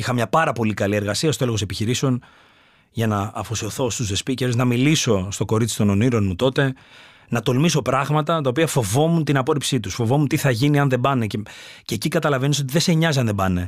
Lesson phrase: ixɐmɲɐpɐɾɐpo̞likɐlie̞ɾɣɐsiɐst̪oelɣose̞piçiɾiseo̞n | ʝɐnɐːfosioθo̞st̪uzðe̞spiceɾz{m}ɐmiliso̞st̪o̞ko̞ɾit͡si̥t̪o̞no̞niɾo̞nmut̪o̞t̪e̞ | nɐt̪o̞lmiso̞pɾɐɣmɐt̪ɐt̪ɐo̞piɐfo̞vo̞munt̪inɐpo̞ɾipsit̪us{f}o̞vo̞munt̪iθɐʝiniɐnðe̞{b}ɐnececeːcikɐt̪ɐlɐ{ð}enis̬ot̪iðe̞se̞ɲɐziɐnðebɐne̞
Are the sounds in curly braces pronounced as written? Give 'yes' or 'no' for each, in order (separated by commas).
no, yes, yes, no